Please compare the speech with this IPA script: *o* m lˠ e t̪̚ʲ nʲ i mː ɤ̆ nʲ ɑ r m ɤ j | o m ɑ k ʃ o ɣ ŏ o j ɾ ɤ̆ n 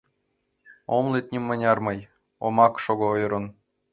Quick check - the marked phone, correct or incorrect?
correct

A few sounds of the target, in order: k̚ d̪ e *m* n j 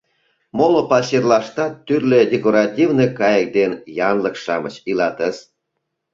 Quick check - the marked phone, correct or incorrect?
incorrect: none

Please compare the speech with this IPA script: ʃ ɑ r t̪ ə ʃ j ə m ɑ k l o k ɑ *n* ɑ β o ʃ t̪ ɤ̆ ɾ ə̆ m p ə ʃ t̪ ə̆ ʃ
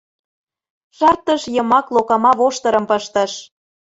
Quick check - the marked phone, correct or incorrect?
incorrect: m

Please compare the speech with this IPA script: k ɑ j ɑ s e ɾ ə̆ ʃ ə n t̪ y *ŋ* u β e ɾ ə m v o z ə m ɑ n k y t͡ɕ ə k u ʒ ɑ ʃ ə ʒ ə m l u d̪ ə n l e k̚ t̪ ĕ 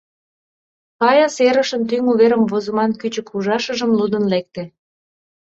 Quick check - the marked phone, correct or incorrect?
correct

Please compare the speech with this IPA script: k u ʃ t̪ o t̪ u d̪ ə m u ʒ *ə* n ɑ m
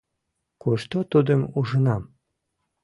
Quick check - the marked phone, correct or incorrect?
correct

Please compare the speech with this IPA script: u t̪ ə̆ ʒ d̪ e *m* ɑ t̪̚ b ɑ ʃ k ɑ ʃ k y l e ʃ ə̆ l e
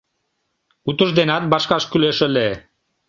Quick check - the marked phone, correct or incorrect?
incorrect: n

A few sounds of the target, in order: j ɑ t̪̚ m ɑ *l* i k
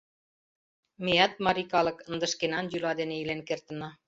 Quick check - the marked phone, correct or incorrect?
incorrect: ɾ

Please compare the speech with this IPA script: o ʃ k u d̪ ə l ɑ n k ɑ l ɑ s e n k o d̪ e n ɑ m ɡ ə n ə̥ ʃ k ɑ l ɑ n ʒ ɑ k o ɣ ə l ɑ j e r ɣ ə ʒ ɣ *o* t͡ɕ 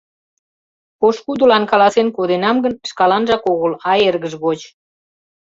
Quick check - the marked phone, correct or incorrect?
correct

